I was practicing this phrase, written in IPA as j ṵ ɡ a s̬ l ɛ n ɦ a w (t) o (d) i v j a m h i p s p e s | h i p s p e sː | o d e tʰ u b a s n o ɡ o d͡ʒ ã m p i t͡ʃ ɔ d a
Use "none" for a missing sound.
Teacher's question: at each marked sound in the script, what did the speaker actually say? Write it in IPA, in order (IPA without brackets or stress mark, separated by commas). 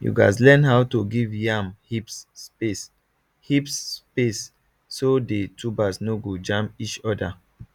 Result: t, ɡ